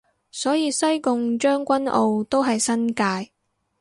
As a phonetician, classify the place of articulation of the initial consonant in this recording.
alveolar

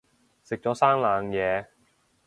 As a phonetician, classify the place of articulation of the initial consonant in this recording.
alveolar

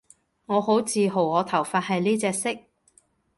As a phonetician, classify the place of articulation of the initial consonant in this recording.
velar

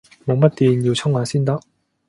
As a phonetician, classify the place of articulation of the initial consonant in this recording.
labial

